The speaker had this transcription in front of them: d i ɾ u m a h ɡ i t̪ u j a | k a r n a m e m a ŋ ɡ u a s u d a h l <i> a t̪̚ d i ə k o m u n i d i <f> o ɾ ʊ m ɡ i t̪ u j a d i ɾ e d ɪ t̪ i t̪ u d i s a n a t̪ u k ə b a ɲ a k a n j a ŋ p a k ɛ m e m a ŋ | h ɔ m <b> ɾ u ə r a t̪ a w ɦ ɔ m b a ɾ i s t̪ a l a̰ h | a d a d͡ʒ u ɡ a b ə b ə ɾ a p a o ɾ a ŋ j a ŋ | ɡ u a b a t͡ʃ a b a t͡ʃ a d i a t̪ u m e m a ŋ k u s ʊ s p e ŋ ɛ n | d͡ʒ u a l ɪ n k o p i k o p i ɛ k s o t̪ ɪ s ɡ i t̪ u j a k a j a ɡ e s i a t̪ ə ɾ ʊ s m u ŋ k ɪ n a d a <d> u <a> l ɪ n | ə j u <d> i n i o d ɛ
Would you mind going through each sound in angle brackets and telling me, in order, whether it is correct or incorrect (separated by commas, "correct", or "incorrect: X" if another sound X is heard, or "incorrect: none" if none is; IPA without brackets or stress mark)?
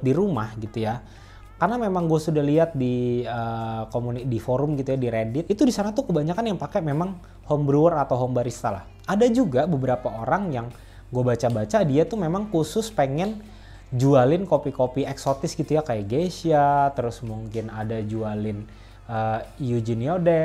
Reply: correct, correct, correct, incorrect: d͡ʒ, correct, incorrect: d͡ʒ